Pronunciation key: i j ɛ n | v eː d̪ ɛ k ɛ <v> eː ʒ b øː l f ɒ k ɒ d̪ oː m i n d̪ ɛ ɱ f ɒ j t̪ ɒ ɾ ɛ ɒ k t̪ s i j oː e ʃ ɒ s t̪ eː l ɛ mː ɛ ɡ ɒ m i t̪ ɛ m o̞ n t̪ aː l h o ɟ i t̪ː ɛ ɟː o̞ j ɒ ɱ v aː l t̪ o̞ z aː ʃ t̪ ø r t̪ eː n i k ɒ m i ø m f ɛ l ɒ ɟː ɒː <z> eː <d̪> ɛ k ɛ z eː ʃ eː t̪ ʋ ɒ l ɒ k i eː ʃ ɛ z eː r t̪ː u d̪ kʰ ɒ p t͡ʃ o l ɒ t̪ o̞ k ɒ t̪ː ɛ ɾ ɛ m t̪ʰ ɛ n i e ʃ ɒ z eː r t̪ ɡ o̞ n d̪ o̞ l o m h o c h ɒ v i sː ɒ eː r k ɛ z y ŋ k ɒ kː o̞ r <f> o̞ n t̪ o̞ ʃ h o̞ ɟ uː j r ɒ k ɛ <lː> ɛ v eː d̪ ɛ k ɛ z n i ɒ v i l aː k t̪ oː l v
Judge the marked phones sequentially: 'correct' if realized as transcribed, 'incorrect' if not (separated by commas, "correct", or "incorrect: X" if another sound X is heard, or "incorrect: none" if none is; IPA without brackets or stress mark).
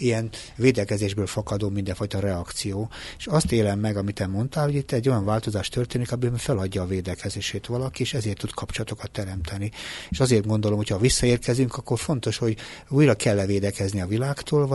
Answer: incorrect: z, incorrect: v, correct, correct, correct